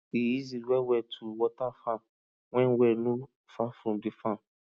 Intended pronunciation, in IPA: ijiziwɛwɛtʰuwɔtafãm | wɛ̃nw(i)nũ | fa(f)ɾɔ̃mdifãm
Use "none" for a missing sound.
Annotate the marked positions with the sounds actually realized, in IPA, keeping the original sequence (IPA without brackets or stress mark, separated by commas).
ɛ, f